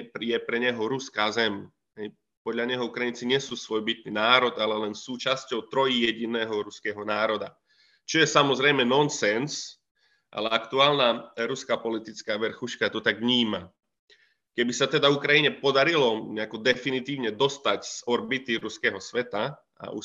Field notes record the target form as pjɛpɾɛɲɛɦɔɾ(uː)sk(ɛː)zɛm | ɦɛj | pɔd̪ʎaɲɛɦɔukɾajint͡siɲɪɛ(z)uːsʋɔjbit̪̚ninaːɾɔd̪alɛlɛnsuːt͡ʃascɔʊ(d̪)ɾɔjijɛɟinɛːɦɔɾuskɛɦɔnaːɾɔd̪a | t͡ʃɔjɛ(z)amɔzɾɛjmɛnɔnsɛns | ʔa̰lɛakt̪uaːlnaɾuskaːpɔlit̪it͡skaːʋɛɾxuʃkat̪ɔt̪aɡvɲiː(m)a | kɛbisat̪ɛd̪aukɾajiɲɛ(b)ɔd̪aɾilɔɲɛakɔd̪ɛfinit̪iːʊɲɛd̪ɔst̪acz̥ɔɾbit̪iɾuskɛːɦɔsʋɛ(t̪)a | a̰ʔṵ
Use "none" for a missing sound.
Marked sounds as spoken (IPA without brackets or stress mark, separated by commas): u, aː, s, t̪, s, m, p, t̪